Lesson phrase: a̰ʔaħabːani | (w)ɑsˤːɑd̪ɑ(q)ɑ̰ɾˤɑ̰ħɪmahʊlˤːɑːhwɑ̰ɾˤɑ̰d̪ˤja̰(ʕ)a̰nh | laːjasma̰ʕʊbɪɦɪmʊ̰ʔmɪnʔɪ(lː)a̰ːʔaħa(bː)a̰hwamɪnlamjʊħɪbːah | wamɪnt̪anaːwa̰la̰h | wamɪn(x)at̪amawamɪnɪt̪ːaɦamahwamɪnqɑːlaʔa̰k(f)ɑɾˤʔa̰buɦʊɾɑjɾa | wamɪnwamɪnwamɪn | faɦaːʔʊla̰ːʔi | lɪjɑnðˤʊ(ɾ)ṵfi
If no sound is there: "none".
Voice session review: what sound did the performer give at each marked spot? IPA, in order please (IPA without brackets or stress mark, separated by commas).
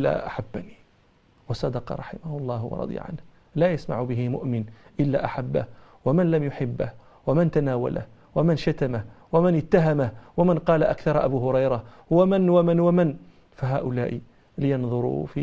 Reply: w, q, ʕ, lː, bː, ʃ, θ, ɾ